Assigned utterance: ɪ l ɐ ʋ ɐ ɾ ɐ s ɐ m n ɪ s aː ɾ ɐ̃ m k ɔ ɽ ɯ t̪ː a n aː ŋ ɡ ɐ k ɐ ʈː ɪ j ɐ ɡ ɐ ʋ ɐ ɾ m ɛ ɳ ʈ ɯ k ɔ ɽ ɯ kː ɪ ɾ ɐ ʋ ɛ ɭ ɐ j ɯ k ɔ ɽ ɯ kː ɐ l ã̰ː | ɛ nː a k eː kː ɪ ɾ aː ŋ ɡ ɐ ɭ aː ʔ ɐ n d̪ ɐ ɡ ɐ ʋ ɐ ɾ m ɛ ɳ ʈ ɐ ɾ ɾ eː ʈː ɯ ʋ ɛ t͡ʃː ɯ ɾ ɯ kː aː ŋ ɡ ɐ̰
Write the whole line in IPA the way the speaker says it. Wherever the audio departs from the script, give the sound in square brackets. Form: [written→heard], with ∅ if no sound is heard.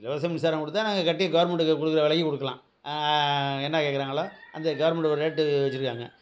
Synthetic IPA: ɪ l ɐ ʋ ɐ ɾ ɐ s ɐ m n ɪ s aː ɾ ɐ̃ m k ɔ ɽ ɯ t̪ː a n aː ŋ ɡ ɐ k ɐ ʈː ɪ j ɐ ɡ ɐ ʋ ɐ ɾ m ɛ ɳ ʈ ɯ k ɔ ɽ ɯ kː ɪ ɾ ɐ ʋ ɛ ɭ ɐ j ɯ k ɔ ɽ ɯ kː ɐ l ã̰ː | ɛ nː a k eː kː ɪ ɾ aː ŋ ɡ ɐ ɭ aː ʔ ɐ n d̪ ɐ ɡ ɐ ʋ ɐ ɾ m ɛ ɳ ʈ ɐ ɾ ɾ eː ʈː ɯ ʋ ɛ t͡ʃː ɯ ɾ ɯ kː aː ŋ ɡ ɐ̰